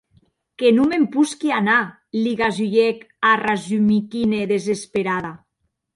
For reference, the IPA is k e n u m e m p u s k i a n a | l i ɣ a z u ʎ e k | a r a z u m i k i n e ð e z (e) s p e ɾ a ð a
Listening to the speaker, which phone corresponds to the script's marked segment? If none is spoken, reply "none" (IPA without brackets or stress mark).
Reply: e